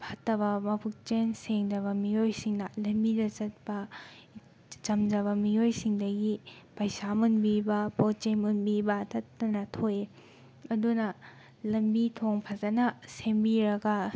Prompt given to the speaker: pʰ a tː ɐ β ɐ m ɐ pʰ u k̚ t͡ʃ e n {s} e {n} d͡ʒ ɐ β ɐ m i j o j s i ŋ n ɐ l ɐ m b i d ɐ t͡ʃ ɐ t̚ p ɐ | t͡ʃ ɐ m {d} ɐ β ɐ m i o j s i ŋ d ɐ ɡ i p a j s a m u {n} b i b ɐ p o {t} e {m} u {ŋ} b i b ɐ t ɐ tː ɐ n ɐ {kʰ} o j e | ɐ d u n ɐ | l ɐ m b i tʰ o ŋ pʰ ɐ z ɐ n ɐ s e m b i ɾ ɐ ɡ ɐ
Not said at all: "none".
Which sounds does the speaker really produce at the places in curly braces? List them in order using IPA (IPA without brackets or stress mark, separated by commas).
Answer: s, ŋ, d͡ʒ, n, t͡ʃ, m, n, tʰ